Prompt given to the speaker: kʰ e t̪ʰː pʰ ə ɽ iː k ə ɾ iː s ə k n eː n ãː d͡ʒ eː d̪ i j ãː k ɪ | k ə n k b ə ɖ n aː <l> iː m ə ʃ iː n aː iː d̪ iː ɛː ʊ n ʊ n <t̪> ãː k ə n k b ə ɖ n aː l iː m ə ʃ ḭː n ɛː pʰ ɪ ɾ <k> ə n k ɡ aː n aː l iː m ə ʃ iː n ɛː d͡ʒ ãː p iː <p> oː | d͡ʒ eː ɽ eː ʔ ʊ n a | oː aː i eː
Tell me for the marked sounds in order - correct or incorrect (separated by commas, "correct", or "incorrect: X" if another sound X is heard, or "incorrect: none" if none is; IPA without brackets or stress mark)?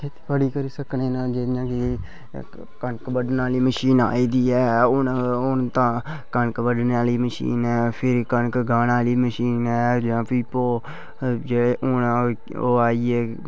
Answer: correct, correct, correct, correct